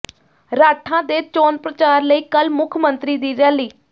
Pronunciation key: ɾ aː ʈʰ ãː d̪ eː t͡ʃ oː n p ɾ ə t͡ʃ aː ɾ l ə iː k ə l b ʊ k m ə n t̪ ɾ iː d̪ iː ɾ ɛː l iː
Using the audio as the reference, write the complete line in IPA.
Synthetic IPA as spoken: ɾ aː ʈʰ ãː d̪ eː t͡ʃ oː n p ɾ ə t͡ʃ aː ɾ l ə iː k ə l m ʊ kʰ m ə n t̪ ɾ iː d̪ iː ɾ ɛː l iː